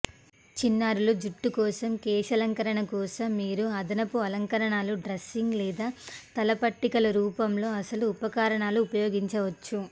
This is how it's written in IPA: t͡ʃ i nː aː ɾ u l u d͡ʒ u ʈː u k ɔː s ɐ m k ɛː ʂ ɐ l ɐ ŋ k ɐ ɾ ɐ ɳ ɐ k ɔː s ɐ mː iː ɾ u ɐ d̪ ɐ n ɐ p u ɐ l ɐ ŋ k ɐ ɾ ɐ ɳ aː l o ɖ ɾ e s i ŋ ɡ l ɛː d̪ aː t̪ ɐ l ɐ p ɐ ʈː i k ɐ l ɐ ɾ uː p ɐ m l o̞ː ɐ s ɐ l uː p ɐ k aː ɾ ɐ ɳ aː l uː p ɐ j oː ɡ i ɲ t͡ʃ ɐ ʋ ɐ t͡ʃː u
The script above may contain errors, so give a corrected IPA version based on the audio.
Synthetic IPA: t͡ʃ i nː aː ɾ u l u d͡ʒ u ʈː u k ɔː s ɐ m k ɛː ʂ ɐ l ɐ ŋ k ɐ ɾ ɐ ɳ ɐ k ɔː s ɐ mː iː ɾ u ɐ d̪ ɐ n ɐ p u ɐ l ɐ ŋ k ɐ ɾ ɐ ɳ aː l u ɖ ɾ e s i ŋ ɡ l ɛː d̪ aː t̪ ɐ l ɐ p ɐ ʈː i k ɐ l ɐ ɾ uː p ɐ m l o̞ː ɐ s ɐ l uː p ɐ k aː ɾ ɐ ɳ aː l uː p ɐ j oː ɡ i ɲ t͡ʃ ɐ ʋ ɐ t͡ʃː u